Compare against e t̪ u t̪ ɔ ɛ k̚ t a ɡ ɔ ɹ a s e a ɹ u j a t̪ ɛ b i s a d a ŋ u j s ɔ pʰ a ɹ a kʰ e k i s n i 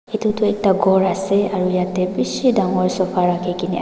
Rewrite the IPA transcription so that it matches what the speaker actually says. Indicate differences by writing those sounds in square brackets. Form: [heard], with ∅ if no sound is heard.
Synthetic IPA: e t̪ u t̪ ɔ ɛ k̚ t a ɡ ɔ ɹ a s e a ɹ u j a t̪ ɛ b i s [i] d a ŋ [ɔ] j s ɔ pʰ a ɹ a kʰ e k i [∅] n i